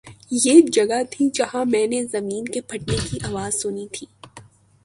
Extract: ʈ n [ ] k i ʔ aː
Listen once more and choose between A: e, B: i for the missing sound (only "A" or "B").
A